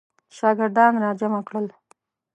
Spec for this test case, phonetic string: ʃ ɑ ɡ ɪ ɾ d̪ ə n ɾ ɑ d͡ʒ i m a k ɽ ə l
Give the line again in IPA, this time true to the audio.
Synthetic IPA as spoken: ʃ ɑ ɡ ɪ ɾ d̪ ɑ n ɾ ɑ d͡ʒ a m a k ɽ ə l